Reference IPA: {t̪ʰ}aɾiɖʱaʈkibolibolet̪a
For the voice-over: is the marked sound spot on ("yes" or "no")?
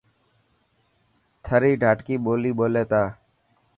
yes